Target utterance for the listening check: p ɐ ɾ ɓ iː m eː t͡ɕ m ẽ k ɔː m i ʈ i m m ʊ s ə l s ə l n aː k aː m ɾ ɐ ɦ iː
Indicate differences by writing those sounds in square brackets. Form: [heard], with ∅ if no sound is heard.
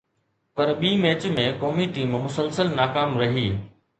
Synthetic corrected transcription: p ɐ ɾ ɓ iː m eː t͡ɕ m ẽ k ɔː m i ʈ [iː] m m ʊ s ə l s ə l n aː k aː m ɾ ɐ ɦ iː